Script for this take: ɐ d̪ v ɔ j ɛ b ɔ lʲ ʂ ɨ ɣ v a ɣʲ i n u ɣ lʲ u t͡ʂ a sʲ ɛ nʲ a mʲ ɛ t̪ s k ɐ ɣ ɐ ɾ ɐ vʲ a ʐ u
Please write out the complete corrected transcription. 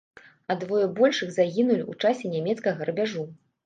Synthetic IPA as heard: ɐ d̪ v ɔ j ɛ b ɔ lʲ ʂ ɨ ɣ z a ɣʲ i n u lʲ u t͡ʂ a sʲ ɛ nʲ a mʲ ɛ t̪ s k ɐ ɣ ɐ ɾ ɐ bʲ a ʐ u